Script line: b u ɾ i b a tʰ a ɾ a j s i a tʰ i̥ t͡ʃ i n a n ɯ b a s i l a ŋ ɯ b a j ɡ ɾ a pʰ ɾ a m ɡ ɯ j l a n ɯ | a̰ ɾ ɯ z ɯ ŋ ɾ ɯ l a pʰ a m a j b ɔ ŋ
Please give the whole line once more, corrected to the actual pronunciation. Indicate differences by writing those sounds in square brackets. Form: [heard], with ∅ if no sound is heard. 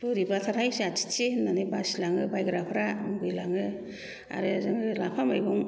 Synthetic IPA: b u ɾ i b a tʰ a ɾ a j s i a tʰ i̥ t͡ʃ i n a n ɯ b a s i l a ŋ ɯ b a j ɡ ɾ a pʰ ɾ a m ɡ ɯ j l a [ŋ] ɯ | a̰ ɾ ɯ z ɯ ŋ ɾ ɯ l a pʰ a m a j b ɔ ŋ

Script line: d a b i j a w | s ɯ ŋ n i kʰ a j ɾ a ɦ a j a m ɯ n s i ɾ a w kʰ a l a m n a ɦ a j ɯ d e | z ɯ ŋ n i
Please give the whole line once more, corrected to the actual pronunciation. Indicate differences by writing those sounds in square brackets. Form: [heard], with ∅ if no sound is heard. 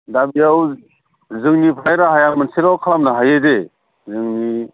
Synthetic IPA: d a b i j a w | [z] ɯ ŋ n i [pʰ] a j ɾ a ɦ a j a m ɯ n s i ɾ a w kʰ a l a m n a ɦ a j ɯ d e | z ɯ ŋ n i

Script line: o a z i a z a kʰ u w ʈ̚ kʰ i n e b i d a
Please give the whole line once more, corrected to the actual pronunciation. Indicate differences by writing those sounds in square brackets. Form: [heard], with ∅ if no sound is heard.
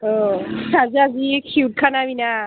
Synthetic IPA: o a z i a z [i] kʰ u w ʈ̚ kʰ [a] n [a] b i [n] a

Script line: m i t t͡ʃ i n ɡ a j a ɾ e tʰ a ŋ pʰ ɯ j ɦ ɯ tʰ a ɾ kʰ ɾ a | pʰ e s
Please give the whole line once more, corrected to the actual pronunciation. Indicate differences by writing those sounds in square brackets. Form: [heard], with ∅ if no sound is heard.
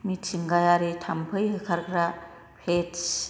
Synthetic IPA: m i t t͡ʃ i [ŋ] ɡ a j a ɾ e tʰ a [m] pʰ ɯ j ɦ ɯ [kʰ] a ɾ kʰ ɾ a | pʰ e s

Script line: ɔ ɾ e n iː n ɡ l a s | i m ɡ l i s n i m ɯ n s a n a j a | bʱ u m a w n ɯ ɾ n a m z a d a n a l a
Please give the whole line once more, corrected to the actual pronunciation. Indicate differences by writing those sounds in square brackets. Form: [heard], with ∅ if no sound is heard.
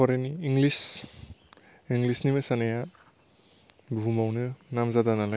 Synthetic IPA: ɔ ɾ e n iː [ŋ] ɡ l [i] s | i [ŋ] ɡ l i s n i m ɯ [∅] s a n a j a | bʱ u m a w n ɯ [∅] n a m z a d a n a l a

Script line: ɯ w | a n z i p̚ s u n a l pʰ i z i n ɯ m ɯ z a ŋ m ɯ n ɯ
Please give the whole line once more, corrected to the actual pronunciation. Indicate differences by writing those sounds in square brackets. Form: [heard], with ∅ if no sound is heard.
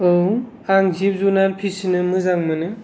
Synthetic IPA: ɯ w | a [ŋ] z i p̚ [z] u n a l pʰ i [s] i n ɯ m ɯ z a ŋ m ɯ n ɯ

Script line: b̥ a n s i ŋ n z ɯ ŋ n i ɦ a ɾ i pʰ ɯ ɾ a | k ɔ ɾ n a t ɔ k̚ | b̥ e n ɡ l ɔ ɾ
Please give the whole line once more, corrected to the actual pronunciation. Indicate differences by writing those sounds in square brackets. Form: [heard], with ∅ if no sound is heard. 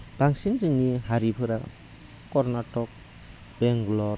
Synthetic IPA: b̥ a [ŋ] s i [∅] n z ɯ ŋ n i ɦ a ɾ i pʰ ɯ ɾ a | k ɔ ɾ n a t ɔ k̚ | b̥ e [ŋ] ɡ l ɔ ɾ

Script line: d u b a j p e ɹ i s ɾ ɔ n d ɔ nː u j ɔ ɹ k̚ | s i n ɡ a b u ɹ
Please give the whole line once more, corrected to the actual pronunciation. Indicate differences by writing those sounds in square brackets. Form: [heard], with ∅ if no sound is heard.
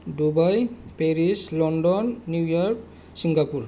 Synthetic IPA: d u b a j p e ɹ i s [l] ɔ n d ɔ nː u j ɔ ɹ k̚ | s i [ŋ] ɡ a [p] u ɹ

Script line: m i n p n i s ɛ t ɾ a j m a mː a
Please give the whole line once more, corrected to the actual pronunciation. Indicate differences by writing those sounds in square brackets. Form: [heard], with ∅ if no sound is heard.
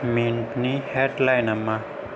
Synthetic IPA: m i n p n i [h] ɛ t [l] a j [n] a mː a

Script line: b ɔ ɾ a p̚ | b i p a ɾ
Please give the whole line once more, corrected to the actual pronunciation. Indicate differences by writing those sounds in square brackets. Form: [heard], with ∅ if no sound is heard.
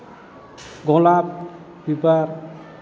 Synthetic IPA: [ɡ] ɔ [l] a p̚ | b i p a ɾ

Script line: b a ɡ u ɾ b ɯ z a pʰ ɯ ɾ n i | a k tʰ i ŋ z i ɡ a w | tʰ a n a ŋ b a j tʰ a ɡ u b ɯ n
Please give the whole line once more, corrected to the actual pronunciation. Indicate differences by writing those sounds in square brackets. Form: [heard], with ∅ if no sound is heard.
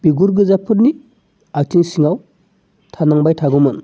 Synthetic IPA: b [i] ɡ u ɾ [ɡ] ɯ z a pʰ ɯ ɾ n i | a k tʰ i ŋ [s] i [ŋ] a w | tʰ a n a ŋ b a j tʰ a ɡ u [m] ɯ n

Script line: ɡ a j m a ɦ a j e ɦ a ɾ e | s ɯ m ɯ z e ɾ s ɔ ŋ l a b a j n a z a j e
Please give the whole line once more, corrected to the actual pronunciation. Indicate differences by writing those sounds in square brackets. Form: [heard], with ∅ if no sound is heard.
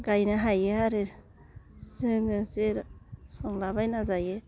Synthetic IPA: ɡ a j [n] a ɦ a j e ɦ a ɾ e | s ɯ [ŋ] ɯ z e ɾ s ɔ ŋ l a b a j n a z a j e

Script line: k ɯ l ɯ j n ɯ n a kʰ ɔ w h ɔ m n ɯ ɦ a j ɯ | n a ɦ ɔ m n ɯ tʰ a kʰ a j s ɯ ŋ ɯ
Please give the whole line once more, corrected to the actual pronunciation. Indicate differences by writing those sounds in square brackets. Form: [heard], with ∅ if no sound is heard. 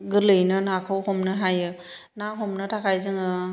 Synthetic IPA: [ɡ] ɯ l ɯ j n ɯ n a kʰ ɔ w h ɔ m n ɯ ɦ a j ɯ | n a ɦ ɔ m n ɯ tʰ a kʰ a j [z] ɯ ŋ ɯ

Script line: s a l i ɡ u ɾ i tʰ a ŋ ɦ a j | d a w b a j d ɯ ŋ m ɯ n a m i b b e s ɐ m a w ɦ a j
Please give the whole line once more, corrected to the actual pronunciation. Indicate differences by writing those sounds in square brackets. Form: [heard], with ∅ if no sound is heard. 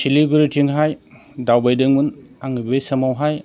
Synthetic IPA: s [i] l i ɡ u ɾ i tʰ [i] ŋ ɦ a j | d a w b a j d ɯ ŋ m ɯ n a [ŋ] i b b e s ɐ m a w ɦ a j

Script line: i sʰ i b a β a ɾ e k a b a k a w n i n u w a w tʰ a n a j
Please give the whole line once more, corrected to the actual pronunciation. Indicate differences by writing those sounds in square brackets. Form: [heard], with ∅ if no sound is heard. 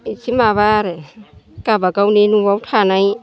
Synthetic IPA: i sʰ i [m] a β a ɾ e k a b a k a w n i n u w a w tʰ a n a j

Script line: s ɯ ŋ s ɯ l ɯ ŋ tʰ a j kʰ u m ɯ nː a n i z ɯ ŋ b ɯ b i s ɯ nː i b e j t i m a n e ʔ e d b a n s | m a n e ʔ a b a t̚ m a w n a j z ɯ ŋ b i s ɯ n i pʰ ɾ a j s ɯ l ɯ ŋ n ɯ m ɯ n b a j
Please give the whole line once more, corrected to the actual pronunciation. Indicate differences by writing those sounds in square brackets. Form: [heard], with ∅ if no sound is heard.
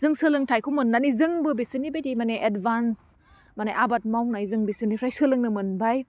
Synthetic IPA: [z] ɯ ŋ s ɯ l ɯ ŋ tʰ a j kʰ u m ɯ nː a n i z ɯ ŋ b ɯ b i s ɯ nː i b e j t i m a n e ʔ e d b a n s | m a n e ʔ a b a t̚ m a w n a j z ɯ ŋ b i s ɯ n i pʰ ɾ a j s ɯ l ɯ ŋ n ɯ m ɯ n b a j

